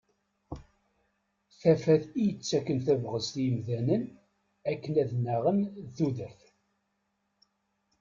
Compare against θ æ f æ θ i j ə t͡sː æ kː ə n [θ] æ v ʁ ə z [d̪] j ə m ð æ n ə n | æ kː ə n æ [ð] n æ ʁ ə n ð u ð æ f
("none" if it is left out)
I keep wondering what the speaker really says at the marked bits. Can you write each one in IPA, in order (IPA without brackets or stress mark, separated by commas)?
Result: θ, t̪, ð